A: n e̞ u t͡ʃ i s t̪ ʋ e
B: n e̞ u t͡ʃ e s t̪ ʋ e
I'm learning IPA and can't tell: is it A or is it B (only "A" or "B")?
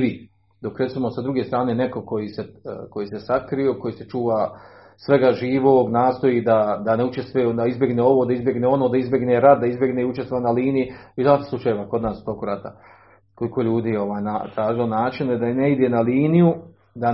B